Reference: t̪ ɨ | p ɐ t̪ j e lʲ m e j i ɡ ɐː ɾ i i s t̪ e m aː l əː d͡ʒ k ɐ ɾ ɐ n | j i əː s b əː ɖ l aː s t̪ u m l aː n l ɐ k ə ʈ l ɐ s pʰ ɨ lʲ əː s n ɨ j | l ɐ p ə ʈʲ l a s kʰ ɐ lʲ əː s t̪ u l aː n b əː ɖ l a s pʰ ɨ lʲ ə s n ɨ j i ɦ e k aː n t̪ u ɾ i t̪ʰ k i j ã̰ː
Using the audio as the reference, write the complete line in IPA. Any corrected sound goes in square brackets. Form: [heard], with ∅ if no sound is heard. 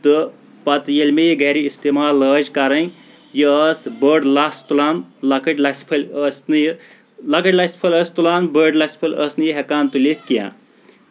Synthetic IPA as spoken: t̪ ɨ | p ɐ t̪ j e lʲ m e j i ɡ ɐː ɾ i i s t̪ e m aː l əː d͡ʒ k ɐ ɾ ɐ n | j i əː s b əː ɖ l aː s t̪ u [∅] l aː n l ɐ k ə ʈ l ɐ s pʰ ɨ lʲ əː s n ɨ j | l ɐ [k] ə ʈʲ l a s [pʰ] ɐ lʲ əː s t̪ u l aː n b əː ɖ l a s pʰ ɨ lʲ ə s n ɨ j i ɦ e k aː n t̪ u [l] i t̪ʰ k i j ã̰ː